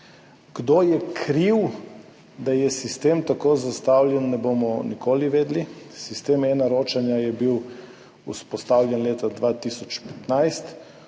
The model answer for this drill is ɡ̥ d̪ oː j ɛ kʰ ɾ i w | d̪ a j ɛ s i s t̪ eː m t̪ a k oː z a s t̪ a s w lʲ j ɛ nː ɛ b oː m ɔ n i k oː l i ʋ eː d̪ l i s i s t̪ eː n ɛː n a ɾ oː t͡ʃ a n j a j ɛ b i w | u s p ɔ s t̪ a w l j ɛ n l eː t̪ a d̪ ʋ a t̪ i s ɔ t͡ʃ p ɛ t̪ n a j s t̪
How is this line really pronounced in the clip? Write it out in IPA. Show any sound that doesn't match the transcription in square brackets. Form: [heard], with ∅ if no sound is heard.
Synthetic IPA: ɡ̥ d̪ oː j ɛ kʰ ɾ i w | d̪ a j ɛ s i s t̪ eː m t̪ a k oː z a s t̪ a [∅] w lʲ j ɛ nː ɛ b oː m ɔ n i k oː l i ʋ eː d̪ l i s i s t̪ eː [m] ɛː n a ɾ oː t͡ʃ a n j a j ɛ b i w | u s p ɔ s t̪ a w l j ɛ n l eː t̪ a d̪ ʋ a t̪ i s ɔ t͡ʃ p ɛ t̪ n a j s t̪